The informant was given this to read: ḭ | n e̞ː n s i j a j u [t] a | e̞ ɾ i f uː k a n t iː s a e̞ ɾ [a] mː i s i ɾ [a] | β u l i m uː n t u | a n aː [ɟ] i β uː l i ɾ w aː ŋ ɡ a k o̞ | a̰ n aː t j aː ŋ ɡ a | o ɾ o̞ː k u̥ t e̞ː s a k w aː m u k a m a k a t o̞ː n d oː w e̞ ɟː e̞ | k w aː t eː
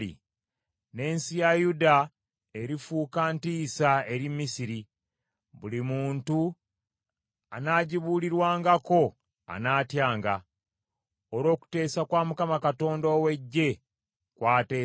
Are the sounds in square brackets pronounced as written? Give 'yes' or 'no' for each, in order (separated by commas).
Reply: no, no, no, yes